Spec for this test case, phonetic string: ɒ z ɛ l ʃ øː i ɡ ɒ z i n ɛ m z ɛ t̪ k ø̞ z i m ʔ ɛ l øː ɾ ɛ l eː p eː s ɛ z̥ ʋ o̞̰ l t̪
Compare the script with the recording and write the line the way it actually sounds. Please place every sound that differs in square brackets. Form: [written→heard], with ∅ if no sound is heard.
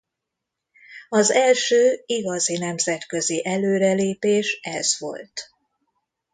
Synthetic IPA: ɒ z ɛ l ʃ øː i ɡ ɒ z i n ɛ m z ɛ t̪ k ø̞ z i [m→∅] ʔ ɛ l øː ɾ ɛ l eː p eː [s→ʃ] ɛ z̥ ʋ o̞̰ l t̪